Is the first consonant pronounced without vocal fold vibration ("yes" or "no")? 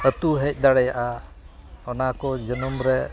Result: yes